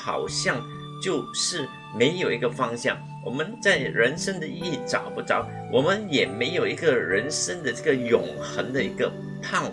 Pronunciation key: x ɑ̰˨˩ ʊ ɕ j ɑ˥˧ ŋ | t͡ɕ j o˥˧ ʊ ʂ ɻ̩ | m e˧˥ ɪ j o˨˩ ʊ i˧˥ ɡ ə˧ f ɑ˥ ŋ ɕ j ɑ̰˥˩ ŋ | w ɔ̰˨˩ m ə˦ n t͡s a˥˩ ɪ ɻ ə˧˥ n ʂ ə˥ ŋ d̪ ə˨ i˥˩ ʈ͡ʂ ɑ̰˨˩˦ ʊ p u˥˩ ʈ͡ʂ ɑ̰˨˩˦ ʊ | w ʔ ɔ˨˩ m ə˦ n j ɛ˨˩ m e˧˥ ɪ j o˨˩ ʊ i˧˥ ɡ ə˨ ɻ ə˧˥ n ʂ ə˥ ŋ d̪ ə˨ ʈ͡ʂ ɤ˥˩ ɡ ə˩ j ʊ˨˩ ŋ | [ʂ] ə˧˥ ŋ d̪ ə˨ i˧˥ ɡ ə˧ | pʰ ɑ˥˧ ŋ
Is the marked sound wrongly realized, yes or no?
yes